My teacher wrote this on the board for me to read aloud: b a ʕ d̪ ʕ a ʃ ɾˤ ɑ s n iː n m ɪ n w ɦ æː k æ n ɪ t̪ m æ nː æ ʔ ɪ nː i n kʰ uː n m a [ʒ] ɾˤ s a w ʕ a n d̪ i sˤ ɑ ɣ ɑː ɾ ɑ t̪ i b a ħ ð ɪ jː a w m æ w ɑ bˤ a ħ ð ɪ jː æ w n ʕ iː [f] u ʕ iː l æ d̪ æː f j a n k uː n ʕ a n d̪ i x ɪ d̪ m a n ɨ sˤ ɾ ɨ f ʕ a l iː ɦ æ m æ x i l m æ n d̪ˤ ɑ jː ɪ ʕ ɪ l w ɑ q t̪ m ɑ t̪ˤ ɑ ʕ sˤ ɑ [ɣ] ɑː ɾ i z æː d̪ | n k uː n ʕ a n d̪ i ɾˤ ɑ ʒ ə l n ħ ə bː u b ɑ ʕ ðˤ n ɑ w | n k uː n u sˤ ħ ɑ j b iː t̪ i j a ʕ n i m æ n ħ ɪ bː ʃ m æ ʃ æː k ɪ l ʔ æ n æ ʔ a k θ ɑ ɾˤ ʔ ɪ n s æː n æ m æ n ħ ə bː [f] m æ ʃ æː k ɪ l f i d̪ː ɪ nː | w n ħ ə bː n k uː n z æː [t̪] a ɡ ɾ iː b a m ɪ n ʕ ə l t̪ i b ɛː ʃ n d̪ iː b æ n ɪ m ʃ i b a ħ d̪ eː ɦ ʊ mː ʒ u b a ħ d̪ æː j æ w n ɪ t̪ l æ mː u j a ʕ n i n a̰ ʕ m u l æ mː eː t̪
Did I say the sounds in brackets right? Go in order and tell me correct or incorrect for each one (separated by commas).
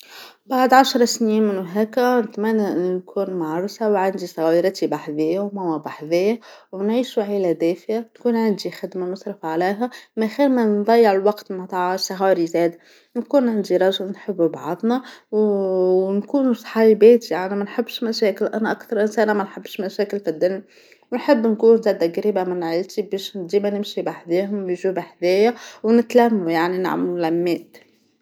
incorrect, incorrect, correct, incorrect, incorrect